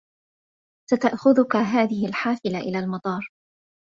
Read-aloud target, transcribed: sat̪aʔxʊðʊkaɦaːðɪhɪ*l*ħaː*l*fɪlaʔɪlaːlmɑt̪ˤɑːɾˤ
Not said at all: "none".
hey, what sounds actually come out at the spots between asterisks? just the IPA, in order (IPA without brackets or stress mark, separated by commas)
l, none